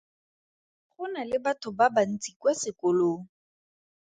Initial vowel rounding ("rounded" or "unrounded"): rounded